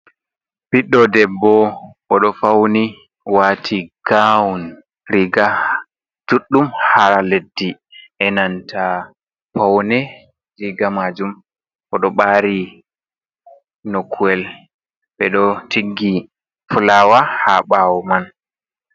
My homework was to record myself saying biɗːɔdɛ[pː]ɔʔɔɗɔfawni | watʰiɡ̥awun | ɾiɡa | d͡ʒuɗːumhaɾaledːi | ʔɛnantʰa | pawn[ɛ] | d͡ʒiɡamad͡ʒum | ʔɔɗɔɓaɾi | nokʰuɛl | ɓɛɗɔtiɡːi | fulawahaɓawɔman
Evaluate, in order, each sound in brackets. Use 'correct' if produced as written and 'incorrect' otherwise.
incorrect, correct

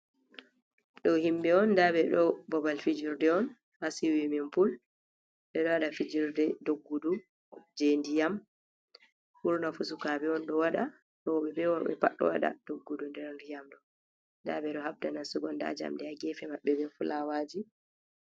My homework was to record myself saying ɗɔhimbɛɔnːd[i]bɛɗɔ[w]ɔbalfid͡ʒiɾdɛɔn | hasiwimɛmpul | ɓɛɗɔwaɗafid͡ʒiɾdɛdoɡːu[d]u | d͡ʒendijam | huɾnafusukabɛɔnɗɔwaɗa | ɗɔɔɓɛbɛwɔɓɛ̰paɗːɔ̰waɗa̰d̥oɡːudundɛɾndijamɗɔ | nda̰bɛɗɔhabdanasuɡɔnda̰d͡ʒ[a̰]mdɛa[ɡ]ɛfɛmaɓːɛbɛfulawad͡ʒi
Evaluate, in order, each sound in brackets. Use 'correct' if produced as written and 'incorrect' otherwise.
incorrect, incorrect, correct, correct, correct

